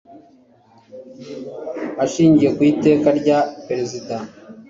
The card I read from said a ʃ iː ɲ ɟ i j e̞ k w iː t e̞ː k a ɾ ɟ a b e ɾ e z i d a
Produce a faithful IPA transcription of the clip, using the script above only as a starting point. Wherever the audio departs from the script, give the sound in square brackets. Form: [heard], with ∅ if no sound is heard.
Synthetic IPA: a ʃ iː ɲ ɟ i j e̞ k w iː t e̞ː k a ɾ ɟ a [p] e ɾ e z i d a